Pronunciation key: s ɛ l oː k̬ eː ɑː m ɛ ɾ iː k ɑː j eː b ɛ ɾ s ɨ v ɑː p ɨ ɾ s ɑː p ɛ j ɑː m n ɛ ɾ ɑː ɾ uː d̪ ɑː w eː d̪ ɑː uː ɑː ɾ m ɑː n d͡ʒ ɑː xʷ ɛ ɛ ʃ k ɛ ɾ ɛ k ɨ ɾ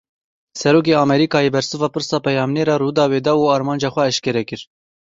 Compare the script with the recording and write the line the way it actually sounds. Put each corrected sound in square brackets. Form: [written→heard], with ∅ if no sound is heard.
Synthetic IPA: s ɛ [l→ɾ] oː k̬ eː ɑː m ɛ ɾ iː k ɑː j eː b ɛ ɾ s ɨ v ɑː p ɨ ɾ s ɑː p ɛ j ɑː m n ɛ ɾ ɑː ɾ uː d̪ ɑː w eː d̪ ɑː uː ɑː ɾ m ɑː n d͡ʒ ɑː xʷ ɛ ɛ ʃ k ɛ ɾ ɛ k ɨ ɾ